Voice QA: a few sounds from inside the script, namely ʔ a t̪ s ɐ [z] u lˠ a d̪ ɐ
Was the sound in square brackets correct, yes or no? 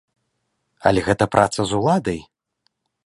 yes